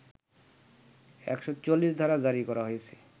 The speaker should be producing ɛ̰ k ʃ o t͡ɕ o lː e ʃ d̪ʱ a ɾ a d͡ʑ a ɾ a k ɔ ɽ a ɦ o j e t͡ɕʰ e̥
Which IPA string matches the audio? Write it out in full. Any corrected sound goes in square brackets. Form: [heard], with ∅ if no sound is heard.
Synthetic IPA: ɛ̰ k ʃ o t͡ɕ o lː [i] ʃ d̪ʱ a ɾ a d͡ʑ a ɾ [i] k ɔ [ɾ] a ɦ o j e t͡ɕʰ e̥